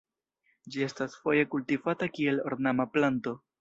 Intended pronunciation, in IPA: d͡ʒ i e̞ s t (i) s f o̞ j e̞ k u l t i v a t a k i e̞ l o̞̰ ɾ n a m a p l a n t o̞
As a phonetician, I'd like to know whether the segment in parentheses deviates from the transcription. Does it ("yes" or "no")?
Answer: yes